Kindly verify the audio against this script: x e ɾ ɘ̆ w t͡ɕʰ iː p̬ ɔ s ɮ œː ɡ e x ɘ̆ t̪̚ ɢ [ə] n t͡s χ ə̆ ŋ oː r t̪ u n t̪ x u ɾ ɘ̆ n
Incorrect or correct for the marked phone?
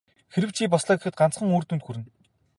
incorrect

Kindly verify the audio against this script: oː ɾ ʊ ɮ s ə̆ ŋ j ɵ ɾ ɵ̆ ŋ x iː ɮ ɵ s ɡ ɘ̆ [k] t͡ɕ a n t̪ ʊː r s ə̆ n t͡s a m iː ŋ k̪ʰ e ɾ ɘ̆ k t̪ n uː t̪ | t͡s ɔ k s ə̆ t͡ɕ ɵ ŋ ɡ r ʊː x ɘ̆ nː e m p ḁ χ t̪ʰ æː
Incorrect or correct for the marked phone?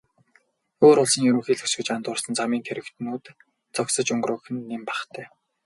incorrect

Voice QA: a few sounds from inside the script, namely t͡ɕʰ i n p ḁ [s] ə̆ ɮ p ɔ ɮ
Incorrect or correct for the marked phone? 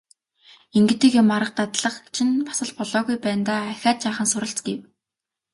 correct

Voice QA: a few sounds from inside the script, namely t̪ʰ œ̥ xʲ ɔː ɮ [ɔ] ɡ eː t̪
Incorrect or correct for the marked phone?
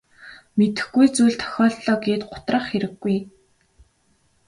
incorrect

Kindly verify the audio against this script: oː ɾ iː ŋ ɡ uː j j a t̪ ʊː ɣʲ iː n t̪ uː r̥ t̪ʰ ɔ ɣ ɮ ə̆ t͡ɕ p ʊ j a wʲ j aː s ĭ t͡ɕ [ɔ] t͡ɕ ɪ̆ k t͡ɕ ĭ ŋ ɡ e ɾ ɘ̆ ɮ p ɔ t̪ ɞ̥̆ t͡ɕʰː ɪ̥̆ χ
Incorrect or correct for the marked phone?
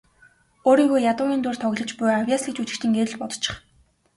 incorrect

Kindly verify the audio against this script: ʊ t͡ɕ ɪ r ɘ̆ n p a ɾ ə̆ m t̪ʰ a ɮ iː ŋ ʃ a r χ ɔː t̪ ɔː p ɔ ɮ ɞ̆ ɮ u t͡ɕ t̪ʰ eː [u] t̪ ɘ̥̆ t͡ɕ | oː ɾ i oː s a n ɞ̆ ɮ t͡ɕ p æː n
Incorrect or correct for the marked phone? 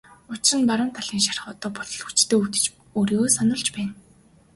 correct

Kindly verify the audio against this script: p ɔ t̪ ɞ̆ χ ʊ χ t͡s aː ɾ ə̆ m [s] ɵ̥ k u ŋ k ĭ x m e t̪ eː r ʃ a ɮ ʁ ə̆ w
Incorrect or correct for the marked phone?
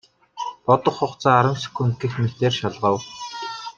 correct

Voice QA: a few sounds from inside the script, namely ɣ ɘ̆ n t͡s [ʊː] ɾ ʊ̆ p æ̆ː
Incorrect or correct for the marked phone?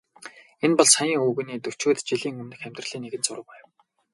incorrect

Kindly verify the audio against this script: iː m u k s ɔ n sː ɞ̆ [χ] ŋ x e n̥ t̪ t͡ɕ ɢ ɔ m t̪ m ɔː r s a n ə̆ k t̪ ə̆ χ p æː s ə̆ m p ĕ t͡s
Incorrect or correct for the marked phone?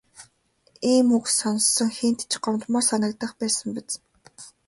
incorrect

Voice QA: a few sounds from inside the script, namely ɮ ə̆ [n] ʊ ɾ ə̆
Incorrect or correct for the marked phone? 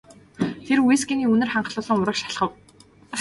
incorrect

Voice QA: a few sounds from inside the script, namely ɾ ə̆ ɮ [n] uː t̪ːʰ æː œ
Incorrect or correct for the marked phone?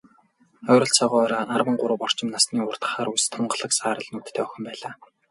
correct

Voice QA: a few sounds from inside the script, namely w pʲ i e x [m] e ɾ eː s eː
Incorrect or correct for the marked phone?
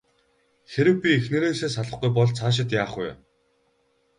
incorrect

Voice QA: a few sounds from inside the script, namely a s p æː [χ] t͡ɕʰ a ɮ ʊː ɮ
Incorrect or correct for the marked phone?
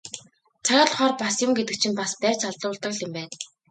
incorrect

